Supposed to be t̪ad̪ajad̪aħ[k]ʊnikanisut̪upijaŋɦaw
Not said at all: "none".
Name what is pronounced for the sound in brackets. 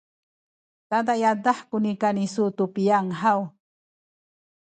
k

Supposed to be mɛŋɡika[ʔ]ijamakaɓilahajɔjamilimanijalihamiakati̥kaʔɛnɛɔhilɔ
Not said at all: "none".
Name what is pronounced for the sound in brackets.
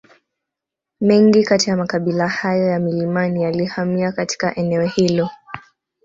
t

